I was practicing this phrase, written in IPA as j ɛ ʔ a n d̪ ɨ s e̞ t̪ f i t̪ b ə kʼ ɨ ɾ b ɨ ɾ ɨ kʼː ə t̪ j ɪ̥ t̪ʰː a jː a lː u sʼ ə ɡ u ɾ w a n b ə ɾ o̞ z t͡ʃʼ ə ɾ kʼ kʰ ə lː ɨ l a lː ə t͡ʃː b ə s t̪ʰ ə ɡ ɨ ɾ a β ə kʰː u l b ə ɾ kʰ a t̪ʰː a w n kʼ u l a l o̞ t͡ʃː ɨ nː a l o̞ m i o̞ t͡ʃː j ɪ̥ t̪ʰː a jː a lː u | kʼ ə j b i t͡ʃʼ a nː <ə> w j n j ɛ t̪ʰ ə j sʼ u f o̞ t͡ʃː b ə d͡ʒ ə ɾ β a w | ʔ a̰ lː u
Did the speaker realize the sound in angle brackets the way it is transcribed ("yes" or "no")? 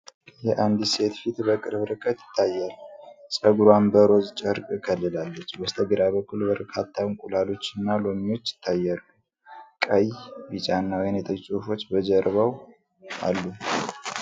no